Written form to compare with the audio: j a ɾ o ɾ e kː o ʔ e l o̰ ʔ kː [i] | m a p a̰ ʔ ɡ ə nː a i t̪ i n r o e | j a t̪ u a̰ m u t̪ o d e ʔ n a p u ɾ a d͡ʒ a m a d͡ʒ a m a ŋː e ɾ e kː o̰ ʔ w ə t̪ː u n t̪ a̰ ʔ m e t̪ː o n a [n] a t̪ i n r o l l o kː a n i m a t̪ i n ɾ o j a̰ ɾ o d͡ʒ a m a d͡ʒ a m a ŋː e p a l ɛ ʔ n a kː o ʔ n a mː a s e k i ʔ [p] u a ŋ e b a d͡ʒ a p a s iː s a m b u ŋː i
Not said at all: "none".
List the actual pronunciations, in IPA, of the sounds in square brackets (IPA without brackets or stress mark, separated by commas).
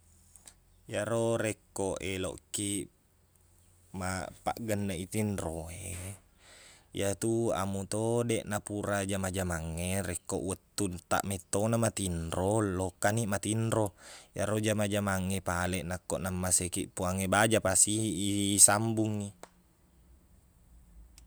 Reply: i, m, p